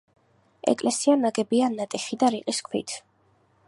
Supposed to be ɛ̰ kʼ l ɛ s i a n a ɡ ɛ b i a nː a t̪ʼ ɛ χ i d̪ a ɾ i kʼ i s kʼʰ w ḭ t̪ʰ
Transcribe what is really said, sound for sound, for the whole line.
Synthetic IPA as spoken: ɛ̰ kʼ l ɛ s i a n a ɡ ɛ b i a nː a t̪ʼ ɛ χ i d̪ a ɾ i qʼ i s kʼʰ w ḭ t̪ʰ